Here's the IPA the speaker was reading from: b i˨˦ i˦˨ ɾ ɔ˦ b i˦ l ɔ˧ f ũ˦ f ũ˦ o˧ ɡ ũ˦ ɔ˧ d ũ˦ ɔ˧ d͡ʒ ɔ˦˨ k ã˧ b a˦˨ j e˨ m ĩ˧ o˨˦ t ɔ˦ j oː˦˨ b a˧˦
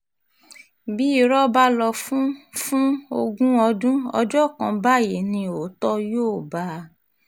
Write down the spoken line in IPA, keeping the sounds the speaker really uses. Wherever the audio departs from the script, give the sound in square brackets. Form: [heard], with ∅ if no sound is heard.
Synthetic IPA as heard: b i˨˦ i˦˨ ɾ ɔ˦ b [a˦] l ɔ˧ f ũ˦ f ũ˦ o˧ ɡ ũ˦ ɔ˧ d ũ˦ ɔ˧ d͡ʒ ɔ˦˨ k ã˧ b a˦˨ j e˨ [n] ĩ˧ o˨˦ t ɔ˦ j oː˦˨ b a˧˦